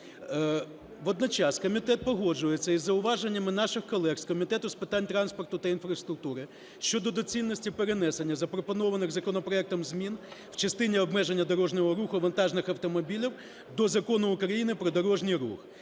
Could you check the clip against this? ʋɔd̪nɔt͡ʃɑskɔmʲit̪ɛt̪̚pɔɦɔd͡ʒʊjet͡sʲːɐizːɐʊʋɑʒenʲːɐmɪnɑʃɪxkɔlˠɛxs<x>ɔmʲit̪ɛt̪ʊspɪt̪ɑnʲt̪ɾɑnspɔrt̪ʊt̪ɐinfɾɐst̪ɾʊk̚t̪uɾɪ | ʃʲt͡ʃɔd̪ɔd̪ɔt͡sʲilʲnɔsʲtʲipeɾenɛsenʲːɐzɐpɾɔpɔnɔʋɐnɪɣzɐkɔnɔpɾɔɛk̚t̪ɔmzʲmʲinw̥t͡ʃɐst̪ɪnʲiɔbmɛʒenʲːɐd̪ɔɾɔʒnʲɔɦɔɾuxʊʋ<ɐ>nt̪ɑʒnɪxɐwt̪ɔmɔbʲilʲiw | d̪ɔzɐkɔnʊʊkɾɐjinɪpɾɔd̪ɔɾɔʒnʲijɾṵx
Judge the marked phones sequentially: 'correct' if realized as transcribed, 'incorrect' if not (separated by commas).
incorrect, correct